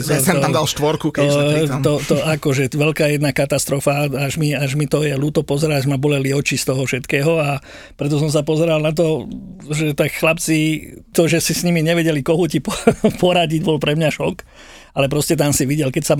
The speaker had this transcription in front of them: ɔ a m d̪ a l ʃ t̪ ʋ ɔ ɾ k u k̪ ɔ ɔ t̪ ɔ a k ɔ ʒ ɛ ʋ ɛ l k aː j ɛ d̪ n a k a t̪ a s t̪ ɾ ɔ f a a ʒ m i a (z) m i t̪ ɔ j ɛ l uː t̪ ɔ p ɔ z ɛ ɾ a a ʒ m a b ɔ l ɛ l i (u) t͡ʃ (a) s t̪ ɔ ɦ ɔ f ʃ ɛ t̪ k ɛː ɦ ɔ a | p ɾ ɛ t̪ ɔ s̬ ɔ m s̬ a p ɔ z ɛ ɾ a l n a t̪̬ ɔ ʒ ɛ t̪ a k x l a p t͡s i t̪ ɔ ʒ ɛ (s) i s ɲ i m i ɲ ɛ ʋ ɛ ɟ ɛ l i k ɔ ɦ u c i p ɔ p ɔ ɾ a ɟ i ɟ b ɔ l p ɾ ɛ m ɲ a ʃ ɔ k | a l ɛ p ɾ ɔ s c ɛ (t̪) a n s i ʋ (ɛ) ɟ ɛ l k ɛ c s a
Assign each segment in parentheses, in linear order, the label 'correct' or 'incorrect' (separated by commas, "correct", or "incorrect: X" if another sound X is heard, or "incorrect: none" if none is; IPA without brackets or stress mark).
incorrect: ʒ, incorrect: ɔ, incorrect: i, correct, correct, incorrect: i